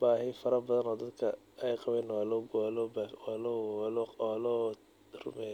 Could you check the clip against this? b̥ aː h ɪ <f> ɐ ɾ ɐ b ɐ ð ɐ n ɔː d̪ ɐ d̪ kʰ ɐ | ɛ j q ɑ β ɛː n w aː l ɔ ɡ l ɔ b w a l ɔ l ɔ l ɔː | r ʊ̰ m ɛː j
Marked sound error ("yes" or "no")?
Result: no